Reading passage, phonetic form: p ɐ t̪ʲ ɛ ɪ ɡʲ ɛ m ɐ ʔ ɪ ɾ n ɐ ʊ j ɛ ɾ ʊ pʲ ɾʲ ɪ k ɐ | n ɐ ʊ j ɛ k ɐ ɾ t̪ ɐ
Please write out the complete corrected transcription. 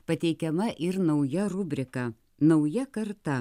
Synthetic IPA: p ɐ t̪ʲ ɛ ɪ kʲ ɛ m ɐ ʔ ɪ ɾ n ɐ ʊ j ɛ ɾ ʊ bʲ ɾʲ ɪ k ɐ | n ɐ ʊ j ɛ k ɐ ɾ t̪ ɐ